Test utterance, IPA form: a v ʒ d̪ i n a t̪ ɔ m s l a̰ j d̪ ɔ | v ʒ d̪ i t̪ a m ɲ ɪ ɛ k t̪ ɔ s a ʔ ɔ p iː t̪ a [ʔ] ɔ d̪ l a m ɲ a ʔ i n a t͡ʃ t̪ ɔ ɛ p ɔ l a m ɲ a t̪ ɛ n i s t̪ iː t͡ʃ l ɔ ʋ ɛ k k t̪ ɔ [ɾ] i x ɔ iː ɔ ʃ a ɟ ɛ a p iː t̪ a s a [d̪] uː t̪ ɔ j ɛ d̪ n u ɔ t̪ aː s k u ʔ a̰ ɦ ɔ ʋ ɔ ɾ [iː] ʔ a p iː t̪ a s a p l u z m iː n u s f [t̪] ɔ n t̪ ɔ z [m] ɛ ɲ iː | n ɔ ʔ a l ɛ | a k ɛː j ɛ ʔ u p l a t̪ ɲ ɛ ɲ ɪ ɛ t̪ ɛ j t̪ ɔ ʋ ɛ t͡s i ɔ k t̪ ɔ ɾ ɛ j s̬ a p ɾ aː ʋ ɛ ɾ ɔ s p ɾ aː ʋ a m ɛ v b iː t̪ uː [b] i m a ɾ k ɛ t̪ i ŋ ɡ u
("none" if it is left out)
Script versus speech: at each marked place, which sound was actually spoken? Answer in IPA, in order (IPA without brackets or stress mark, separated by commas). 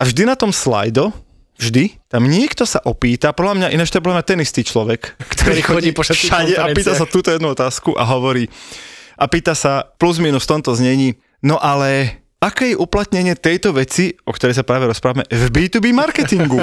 p, ɾ, t̪, iː, t̪, ɲ, b